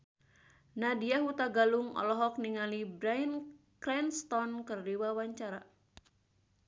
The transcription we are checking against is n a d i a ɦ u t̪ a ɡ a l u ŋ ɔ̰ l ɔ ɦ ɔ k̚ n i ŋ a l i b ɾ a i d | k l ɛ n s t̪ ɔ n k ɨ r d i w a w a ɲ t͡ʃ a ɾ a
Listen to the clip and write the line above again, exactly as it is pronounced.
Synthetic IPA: n a d i a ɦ u t̪ a ɡ a l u ŋ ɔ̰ l ɔ ɦ ɔ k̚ n i ŋ a l i b ɾ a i n | k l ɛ n s t̪ ɔ n k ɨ r d i w a w a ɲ t͡ʃ a ɾ a